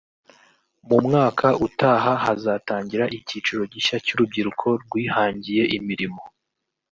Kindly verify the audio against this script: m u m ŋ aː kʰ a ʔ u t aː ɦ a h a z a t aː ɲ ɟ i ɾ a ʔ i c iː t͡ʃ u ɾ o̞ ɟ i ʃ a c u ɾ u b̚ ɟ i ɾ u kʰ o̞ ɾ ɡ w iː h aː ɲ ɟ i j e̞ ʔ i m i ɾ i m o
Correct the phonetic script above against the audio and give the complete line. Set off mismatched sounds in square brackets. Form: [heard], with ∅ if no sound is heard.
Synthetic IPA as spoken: m u m ŋ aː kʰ a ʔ u t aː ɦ a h a z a t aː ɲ ɟ i ɾ a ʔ i c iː t͡ʃ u ɾ o̞ ɟ i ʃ a c u ɾ u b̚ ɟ i ɾ u kʰ o̞ ɾ ɡ w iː h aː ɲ ɟ i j e̞ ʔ i m i ɾ i m o